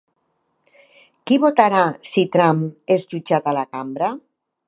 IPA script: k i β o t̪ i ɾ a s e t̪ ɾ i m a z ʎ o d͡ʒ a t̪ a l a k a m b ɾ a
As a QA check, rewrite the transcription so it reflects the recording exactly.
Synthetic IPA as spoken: k i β o t̪ a ɾ a s i t̪ ɾ a m e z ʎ u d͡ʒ a t̪ a l a k a m b ɾ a